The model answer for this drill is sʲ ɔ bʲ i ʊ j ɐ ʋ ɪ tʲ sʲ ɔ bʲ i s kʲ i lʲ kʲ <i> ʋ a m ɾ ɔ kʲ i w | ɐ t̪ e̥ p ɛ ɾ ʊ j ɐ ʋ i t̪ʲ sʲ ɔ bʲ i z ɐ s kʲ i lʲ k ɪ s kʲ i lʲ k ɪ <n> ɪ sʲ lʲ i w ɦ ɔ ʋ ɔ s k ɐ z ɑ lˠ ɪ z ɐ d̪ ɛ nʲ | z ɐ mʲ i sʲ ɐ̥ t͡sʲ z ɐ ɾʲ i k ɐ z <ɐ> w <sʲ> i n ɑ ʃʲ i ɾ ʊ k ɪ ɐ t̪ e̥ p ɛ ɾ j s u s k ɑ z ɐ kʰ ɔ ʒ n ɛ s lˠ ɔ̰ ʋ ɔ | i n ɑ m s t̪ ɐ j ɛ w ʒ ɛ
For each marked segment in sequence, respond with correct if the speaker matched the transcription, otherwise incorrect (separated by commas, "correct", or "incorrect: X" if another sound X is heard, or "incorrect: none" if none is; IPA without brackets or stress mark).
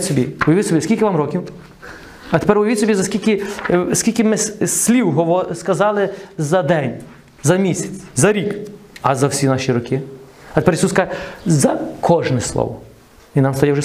incorrect: ɪ, incorrect: m, correct, correct